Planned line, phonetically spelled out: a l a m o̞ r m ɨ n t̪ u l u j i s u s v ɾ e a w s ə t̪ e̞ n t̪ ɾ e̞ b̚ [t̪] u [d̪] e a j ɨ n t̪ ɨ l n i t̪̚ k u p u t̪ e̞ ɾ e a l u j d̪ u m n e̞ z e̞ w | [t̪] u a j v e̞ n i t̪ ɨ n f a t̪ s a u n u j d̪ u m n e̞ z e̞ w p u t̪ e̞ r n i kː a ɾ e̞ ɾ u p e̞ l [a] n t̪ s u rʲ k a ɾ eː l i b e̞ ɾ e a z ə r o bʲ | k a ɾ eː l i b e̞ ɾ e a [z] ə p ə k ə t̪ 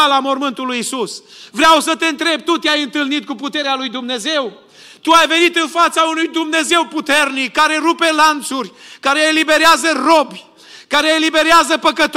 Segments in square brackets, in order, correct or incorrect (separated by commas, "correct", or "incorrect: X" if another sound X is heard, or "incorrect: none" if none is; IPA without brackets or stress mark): correct, incorrect: t̪, correct, correct, correct